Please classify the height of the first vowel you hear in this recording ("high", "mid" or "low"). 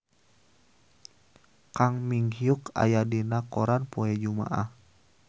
low